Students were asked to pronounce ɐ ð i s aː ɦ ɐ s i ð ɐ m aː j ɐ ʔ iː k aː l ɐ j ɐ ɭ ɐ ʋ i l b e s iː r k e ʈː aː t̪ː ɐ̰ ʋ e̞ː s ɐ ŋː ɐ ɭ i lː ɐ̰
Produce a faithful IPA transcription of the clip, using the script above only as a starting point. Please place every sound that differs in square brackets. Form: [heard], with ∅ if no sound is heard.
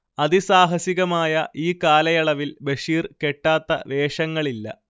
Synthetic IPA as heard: ɐ ð i s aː ɦ ɐ s i [ɣ] ɐ m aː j ɐ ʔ iː k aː l ɐ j ɐ ɭ ɐ ʋ i l b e [ʂ] iː r k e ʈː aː t̪ː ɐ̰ ʋ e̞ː [ʂ] ɐ ŋː ɐ ɭ i lː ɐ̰